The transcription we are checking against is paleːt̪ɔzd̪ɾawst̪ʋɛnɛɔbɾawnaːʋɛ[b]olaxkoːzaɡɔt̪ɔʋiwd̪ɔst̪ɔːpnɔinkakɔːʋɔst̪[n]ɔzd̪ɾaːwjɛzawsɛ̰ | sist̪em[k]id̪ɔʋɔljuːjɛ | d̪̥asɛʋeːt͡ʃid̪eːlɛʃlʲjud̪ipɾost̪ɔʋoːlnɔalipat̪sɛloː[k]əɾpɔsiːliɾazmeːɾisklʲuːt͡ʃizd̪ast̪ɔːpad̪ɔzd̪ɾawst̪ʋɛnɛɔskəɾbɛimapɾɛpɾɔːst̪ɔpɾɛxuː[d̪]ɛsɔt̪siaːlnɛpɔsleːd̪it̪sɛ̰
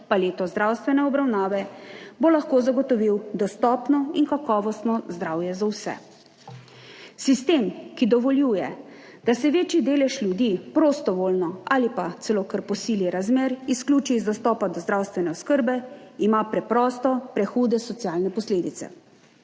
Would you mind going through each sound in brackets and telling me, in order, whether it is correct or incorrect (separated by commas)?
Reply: correct, correct, correct, correct, correct